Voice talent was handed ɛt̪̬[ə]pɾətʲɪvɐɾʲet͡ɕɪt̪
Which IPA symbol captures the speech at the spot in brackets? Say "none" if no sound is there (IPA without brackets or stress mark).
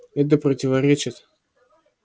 ə